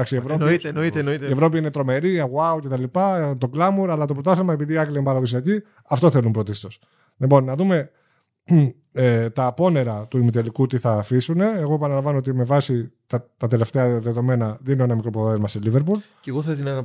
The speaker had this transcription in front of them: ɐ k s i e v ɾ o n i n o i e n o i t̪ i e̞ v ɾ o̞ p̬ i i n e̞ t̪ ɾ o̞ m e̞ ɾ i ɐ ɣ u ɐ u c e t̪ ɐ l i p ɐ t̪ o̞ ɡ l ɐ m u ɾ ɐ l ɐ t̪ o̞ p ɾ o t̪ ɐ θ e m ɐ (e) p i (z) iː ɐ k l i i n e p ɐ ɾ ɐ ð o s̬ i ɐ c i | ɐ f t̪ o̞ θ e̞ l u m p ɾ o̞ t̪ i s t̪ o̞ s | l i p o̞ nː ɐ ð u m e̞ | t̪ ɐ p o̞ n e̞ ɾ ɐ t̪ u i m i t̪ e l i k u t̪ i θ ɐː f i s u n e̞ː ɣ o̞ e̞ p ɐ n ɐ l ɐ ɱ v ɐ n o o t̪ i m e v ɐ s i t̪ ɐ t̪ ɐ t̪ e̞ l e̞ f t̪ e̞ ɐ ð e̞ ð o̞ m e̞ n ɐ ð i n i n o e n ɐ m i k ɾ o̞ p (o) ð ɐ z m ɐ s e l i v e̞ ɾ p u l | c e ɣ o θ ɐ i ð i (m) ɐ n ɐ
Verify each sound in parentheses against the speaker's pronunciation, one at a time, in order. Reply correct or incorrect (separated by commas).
correct, incorrect, correct, incorrect